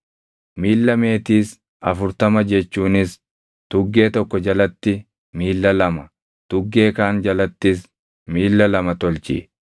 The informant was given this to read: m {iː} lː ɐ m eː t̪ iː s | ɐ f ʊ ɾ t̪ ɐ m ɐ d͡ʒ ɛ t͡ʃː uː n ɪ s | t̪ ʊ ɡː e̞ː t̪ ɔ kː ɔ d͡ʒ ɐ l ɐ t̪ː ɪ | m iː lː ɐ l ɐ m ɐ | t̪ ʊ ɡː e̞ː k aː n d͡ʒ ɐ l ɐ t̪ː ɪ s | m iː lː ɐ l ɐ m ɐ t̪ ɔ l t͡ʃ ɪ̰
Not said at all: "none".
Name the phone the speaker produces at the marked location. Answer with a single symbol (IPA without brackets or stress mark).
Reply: iː